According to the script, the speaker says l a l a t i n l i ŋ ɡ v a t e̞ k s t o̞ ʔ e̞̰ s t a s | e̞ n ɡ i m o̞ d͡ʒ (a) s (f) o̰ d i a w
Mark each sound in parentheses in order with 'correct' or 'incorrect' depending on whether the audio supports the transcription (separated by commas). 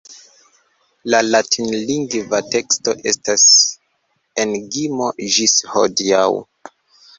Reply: incorrect, incorrect